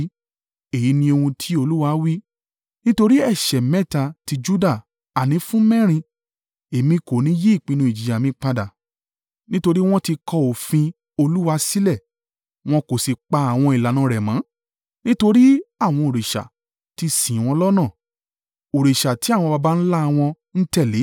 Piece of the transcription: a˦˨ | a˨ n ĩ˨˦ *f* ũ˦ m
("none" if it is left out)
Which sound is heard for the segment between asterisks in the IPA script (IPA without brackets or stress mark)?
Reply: f